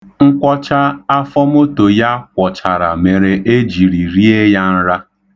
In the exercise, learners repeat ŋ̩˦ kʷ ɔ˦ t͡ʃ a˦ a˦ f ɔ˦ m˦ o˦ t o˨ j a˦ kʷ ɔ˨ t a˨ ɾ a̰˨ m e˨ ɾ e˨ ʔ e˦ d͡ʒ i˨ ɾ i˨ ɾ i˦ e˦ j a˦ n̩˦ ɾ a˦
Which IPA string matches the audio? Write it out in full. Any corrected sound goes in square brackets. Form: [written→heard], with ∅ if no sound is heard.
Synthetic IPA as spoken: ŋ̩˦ kʷ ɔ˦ t͡ʃ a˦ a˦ f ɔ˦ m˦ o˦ t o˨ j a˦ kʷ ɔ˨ [t→t͡ʃ] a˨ ɾ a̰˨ m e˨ ɾ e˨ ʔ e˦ d͡ʒ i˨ ɾ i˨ ɾ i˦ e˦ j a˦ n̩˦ ɾ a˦

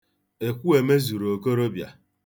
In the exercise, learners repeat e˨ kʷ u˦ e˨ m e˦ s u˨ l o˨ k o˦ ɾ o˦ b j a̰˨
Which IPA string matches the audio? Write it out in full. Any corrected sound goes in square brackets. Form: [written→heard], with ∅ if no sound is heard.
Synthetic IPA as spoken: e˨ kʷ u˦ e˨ m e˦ [s→z] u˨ [l→ɾ] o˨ k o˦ ɾ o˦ b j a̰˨

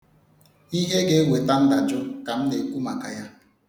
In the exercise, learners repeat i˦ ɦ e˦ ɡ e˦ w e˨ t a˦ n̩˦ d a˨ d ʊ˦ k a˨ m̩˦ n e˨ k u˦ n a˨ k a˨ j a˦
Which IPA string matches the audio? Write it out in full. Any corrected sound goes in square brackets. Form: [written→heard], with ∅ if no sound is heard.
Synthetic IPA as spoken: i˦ ɦ e˦ ɡ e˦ w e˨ t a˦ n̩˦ d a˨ [d→d͡ʒ] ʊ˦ k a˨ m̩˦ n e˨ k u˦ [n→m] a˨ k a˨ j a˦

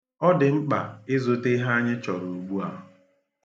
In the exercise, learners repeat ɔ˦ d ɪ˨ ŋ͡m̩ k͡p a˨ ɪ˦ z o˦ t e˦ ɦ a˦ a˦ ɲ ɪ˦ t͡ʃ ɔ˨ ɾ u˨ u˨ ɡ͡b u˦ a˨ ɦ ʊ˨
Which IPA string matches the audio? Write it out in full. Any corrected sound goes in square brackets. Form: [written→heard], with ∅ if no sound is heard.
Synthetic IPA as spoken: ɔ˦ d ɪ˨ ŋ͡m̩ k͡p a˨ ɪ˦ z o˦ t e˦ ɦ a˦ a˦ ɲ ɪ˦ t͡ʃ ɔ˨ ɾ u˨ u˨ ɡ͡b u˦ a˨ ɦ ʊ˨

